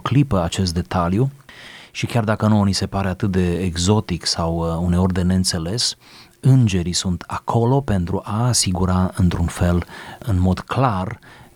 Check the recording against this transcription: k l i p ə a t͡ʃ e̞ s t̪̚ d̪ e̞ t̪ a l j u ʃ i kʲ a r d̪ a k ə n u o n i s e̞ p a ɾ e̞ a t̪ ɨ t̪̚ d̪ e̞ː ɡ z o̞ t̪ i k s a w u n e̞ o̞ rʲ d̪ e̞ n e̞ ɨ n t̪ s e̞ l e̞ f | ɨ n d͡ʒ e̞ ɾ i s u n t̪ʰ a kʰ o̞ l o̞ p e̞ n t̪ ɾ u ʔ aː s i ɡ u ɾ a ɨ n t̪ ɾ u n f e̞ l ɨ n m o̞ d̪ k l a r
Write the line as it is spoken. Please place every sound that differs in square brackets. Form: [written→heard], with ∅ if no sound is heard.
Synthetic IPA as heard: k l i p ə a t͡ʃ e̞ s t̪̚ d̪ e̞ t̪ a l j u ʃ i kʲ a r d̪ a k ə n u o n i s e̞ p a ɾ e̞ a t̪ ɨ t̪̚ d̪ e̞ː ɡ z o̞ t̪ i k s a w u n e̞ o̞ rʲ d̪ e̞ n e̞ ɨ n t̪ s e̞ l e̞ [f→s] | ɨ n d͡ʒ e̞ ɾ i s u n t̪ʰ a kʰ o̞ l o̞ p e̞ n t̪ ɾ u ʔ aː s i ɡ u ɾ a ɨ n t̪ ɾ u n f e̞ l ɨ n m o̞ d̪ k l a r